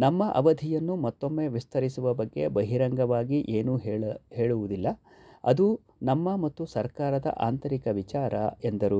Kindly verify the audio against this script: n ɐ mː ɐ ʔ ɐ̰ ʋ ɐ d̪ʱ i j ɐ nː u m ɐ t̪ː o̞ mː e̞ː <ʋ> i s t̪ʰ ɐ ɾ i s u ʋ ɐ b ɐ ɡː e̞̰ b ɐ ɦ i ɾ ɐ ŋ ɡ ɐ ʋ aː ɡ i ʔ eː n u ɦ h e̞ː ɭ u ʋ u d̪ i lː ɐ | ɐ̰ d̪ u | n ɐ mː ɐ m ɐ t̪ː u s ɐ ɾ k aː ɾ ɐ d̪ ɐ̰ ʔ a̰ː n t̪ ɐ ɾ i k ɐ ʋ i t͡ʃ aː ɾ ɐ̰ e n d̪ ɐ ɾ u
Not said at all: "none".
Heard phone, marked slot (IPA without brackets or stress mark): ʋ